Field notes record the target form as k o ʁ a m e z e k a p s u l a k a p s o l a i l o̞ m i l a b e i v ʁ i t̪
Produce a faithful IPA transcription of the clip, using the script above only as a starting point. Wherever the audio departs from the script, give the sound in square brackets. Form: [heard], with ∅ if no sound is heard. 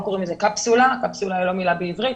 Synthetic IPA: k o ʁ [i] m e z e k a p s u l a k a p s [u] l a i l o̞ m i l a b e i v ʁ i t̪